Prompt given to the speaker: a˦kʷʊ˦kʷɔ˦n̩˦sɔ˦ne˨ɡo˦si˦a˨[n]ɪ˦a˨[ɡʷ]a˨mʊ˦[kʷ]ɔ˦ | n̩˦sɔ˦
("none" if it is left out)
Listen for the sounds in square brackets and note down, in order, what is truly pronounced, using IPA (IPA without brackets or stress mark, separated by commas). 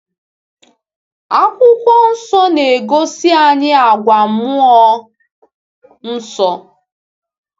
ɲ, ɡʷ, none